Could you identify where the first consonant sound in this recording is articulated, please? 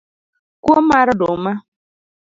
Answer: velar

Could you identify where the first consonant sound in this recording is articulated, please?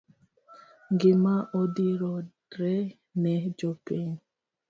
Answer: velar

